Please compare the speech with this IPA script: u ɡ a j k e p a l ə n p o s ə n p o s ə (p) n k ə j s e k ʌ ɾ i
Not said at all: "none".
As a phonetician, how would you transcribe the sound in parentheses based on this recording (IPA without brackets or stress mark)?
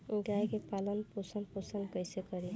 none